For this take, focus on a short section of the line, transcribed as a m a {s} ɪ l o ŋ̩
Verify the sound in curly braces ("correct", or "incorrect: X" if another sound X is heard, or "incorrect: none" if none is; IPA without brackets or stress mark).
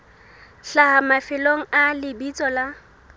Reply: incorrect: f